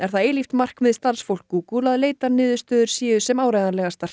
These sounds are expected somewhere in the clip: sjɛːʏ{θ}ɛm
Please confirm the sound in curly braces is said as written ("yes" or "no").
no